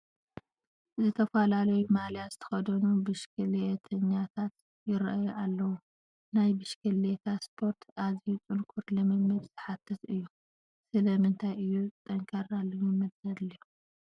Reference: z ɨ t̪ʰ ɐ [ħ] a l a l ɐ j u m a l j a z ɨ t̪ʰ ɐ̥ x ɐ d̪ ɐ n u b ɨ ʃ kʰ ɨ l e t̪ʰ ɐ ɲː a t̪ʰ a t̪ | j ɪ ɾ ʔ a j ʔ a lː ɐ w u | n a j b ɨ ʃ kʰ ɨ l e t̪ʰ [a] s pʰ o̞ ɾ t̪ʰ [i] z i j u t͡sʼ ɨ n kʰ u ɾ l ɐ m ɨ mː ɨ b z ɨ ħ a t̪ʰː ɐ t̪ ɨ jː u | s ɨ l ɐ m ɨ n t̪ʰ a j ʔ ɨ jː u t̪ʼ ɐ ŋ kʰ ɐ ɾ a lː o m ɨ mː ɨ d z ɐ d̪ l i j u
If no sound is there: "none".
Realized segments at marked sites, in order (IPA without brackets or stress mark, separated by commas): f, a, a